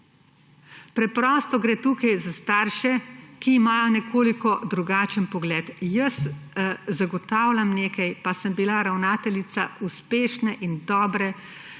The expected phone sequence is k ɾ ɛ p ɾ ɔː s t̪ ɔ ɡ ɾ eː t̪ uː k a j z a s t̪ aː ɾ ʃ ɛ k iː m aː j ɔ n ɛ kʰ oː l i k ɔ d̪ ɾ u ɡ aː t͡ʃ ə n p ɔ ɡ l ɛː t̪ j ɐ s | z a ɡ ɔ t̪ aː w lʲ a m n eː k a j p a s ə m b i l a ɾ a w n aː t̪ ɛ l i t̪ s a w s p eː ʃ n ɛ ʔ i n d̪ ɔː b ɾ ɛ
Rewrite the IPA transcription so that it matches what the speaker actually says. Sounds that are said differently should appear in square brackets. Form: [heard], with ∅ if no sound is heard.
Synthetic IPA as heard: [p] ɾ ɛ p ɾ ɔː s t̪ ɔ ɡ ɾ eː t̪ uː k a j z a s t̪ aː ɾ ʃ ɛ k iː m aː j ɔ n ɛ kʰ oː l i k ɔ d̪ ɾ u ɡ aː t͡ʃ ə n p ɔ ɡ l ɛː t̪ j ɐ s | z a ɡ ɔ t̪ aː w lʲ a m n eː k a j p a s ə m b i l a ɾ a w n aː t̪ ɛ l i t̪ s a [u] s p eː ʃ n ɛ ʔ i n d̪ ɔː b ɾ ɛ